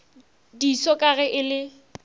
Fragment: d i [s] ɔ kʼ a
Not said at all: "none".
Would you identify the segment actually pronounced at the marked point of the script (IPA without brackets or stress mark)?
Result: s